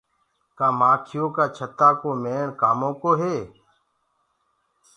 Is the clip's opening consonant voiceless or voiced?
voiceless